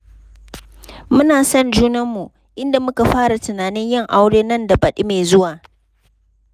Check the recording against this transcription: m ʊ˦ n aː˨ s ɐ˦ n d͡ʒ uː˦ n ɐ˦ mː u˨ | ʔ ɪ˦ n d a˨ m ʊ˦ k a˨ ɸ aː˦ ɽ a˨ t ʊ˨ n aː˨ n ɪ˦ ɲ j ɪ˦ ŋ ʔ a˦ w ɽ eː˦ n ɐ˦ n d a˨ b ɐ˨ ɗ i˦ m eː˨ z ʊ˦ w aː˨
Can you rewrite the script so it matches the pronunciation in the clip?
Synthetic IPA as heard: m ʊ˦ n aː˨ s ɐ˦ n d͡ʒ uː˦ n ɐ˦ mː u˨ | ʔ ɪ˦ n d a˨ m ʊ˦ k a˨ ɸ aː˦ ɽ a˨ t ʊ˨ n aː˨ n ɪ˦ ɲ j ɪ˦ ŋ ʔ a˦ w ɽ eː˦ n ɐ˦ n d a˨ b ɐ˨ ɗ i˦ m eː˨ z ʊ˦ w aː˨